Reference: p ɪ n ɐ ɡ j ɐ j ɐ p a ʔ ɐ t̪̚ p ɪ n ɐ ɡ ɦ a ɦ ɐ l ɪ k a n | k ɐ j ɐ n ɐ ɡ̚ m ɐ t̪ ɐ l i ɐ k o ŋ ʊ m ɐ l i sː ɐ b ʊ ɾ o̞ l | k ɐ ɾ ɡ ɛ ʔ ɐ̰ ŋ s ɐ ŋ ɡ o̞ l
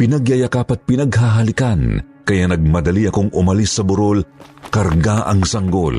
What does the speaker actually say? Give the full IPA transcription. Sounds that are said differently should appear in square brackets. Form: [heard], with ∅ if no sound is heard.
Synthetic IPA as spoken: p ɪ n ɐ ɡ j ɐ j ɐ [k] a [p] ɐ t̪̚ p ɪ n ɐ ɡ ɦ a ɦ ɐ l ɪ k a n | k ɐ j [a] n ɐ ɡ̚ m ɐ [d̪] ɐ l i ɐ k o ŋ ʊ m ɐ l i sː ɐ b ʊ ɾ o̞ l | k ɐ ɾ ɡ [a] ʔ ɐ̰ ŋ s ɐ ŋ ɡ o̞ l